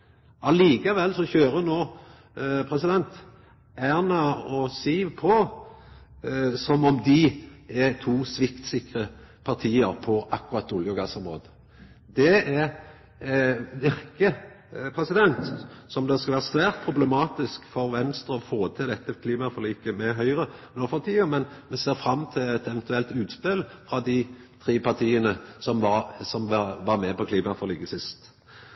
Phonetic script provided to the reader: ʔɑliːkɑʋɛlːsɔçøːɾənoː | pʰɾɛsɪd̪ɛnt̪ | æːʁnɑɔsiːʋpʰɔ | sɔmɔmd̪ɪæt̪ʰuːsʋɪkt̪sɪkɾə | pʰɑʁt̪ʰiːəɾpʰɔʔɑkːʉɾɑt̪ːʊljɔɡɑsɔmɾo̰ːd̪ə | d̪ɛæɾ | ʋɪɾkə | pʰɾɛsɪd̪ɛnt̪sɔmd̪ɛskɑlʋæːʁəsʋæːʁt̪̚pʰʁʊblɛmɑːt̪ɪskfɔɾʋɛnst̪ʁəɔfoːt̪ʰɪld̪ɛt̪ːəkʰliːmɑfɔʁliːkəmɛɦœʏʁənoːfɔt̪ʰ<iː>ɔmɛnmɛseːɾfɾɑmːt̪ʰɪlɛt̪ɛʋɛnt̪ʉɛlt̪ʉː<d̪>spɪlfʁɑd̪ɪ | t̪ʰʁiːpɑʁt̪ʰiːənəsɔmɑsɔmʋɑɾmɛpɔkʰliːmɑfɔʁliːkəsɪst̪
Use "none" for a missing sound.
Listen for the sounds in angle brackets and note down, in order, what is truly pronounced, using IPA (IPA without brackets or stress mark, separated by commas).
iː, t̪